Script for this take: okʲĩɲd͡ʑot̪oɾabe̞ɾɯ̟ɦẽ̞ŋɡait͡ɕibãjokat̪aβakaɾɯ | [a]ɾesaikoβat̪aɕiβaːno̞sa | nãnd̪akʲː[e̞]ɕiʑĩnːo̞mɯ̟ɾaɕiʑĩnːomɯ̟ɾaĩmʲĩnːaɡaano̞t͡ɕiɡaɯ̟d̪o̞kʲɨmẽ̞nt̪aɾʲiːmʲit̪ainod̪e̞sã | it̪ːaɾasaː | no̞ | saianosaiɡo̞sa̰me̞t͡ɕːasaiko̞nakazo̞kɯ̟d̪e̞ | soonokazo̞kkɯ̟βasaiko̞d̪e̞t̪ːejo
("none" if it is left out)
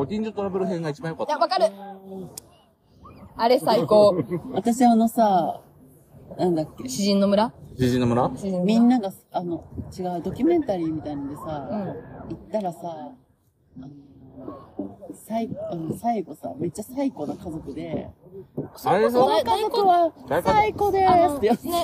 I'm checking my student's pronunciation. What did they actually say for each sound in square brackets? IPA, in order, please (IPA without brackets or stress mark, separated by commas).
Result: a, e̞